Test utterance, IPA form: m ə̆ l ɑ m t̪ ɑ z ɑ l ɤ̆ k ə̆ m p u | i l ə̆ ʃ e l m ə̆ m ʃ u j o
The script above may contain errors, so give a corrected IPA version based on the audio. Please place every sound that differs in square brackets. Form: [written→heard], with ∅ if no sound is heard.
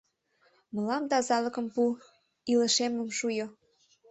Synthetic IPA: m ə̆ l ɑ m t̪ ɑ z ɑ l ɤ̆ k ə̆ m p u | i l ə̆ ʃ e [l→∅] m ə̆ m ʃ u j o